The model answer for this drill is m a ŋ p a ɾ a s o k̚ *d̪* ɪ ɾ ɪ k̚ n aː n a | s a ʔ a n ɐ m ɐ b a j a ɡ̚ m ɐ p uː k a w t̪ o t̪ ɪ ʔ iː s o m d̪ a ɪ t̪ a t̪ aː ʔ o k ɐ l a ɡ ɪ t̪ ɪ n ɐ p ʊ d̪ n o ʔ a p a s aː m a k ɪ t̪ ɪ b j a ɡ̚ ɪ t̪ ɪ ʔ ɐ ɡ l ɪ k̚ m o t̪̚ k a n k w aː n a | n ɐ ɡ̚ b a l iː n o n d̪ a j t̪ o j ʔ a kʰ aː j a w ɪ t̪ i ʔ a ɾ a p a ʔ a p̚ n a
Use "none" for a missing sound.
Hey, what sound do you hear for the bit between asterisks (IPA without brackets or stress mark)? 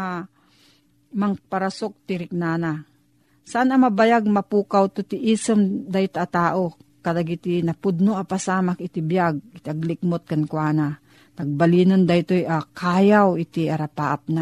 t̪